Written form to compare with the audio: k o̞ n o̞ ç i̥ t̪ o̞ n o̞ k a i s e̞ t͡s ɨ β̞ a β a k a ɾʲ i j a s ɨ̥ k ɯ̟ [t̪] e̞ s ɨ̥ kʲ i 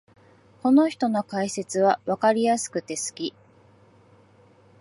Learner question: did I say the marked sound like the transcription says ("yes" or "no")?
yes